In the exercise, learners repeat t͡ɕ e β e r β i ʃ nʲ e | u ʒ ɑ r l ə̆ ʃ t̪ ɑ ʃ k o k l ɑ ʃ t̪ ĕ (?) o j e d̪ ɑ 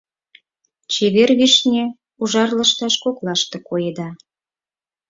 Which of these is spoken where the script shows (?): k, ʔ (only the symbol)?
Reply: k